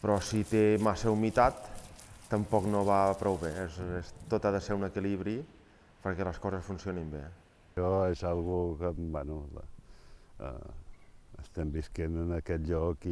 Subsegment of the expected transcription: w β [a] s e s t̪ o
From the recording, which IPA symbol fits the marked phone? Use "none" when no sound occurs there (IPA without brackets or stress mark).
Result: e